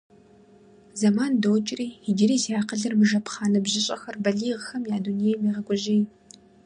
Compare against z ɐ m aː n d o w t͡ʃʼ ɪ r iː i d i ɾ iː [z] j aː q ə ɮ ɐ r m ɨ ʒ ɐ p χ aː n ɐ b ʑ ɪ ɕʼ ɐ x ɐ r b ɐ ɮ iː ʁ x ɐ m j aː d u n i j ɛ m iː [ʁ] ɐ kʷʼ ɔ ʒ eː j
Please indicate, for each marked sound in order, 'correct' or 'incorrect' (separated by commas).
correct, correct